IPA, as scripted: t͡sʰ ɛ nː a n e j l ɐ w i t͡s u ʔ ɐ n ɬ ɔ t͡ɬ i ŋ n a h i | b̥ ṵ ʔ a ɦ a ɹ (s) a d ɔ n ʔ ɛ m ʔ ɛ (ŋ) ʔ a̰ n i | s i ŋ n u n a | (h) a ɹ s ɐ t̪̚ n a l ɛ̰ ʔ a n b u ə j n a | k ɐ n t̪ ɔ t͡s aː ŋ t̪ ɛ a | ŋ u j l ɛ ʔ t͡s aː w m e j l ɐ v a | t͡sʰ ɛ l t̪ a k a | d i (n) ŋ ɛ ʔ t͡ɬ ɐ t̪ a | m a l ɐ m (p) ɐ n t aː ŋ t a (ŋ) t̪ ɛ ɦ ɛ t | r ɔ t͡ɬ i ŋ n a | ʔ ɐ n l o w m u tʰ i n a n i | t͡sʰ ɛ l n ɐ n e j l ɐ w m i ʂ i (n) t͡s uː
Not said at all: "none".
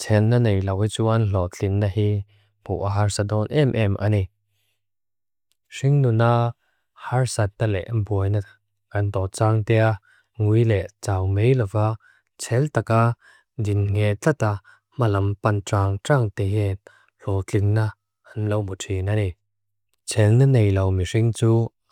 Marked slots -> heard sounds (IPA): s, m, h, n, p, ŋ, ŋ

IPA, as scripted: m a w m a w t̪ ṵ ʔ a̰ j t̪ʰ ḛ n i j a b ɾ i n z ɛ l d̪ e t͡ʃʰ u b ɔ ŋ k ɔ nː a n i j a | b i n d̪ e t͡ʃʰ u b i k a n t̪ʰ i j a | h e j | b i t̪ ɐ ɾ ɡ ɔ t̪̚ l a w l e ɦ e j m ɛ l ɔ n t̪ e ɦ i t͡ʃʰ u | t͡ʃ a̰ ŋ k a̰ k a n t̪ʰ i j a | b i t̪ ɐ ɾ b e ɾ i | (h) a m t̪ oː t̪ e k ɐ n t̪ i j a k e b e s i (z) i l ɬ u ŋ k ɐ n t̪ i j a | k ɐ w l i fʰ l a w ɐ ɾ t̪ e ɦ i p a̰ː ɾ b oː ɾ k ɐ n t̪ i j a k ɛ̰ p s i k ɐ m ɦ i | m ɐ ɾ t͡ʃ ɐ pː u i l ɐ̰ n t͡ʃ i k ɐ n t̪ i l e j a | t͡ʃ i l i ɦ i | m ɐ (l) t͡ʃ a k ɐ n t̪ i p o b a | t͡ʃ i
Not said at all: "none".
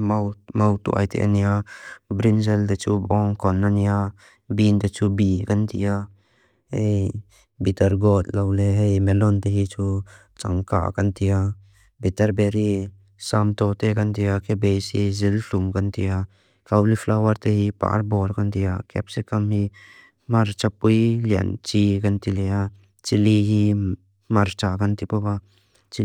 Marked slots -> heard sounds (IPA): s, z, ɾ

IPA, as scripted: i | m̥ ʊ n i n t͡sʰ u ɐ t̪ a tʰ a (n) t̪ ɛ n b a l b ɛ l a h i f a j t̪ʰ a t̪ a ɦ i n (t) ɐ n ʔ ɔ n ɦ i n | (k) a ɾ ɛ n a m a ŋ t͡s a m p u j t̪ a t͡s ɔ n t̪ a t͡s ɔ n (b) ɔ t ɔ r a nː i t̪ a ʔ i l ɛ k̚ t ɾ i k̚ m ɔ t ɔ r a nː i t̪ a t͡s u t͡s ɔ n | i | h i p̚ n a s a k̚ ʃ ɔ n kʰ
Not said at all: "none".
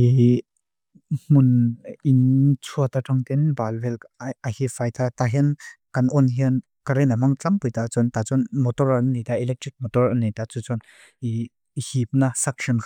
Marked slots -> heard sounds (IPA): ŋ, k, k, m

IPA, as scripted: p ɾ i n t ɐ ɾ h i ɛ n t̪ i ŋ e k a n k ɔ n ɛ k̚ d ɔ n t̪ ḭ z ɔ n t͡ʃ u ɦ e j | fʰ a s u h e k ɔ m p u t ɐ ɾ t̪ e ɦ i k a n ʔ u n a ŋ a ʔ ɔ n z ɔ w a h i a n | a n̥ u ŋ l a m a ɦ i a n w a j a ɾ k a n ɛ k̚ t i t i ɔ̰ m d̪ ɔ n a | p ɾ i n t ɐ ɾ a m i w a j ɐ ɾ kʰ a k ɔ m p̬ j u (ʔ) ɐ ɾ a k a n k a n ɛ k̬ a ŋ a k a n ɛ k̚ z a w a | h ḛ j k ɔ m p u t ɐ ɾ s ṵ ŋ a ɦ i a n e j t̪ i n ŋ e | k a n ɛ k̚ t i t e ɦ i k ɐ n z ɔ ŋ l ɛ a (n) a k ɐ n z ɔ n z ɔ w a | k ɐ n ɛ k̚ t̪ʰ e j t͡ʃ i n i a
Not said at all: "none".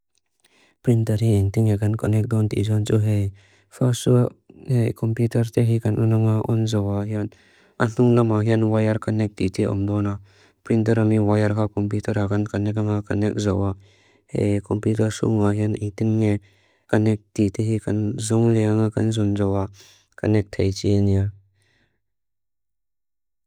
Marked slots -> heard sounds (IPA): t, ŋ

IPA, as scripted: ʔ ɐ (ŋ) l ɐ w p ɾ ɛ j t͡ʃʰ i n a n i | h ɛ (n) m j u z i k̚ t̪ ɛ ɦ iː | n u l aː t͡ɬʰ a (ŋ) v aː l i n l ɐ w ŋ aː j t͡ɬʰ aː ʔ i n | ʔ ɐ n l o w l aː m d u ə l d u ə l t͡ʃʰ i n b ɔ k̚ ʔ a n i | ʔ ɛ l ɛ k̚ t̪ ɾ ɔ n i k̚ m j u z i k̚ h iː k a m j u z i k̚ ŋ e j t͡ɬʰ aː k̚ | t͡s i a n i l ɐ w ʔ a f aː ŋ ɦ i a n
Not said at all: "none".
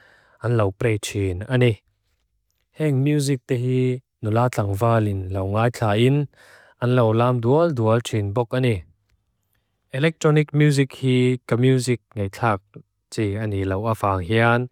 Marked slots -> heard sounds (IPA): n, ŋ, ŋ

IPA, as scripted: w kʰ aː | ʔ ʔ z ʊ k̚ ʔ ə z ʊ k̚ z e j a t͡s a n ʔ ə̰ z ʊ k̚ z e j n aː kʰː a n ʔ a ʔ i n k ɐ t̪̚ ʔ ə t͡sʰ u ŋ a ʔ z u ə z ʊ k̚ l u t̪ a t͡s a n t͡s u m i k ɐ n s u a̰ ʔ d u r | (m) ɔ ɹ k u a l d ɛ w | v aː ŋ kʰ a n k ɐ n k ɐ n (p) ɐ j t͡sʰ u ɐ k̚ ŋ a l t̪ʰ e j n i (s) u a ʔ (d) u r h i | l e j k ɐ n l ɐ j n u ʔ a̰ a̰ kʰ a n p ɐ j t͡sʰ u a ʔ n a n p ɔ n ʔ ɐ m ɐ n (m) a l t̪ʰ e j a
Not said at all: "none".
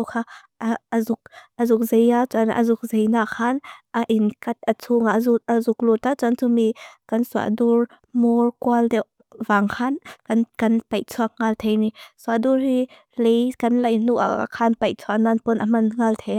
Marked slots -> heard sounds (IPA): m, p, s, d, ŋ

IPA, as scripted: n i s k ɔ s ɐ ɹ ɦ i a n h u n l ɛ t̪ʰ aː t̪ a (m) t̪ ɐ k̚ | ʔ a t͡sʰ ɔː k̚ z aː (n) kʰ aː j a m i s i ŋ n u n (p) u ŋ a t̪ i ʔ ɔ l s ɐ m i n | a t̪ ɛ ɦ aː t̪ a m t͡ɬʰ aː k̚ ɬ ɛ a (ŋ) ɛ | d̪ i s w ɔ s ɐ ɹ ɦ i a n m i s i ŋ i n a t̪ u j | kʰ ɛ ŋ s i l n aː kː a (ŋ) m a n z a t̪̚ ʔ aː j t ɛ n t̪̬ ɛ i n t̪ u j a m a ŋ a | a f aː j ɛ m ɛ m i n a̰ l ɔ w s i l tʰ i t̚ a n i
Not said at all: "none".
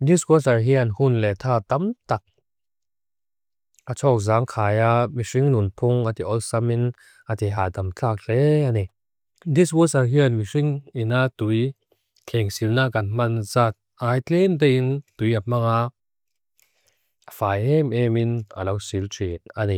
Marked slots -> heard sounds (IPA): m, ŋ, pʰ, n, n

